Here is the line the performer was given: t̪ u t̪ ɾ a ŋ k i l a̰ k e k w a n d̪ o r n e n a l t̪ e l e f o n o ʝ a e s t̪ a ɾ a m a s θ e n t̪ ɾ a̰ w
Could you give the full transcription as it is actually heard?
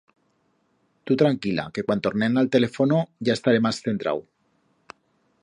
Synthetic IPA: t̪ u t̪ ɾ a ŋ k i l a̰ k e k w a n t̪ o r n e n a l t̪ e l e f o n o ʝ a e s t̪ a ɾ e m a s θ e n t̪ ɾ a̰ w